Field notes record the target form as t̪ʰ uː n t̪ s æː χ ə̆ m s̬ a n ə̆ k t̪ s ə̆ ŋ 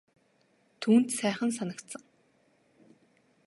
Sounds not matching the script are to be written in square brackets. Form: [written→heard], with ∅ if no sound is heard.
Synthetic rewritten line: t̪ʰ uː n t̪ s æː χ ə̆ [m→n] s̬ a n ə̆ k t̪ s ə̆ ŋ